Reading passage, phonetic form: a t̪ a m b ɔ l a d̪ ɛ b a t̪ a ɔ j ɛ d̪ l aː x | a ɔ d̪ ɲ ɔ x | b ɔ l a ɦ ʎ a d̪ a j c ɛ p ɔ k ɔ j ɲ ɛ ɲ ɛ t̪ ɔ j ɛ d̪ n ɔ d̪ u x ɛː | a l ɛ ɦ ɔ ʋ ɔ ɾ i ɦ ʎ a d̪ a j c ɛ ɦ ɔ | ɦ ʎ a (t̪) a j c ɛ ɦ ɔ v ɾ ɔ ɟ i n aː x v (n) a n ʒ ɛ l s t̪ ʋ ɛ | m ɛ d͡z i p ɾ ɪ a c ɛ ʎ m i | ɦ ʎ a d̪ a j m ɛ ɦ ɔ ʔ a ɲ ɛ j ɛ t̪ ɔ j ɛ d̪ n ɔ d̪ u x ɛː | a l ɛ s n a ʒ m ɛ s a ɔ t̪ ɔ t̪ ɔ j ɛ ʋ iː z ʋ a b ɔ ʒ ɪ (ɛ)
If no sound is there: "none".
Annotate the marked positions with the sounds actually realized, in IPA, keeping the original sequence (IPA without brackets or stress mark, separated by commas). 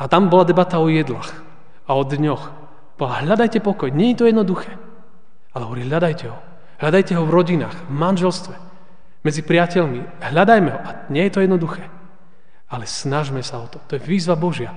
d̪, m, a